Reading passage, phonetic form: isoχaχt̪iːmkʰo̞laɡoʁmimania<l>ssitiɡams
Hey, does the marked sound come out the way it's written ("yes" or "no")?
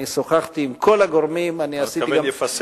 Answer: no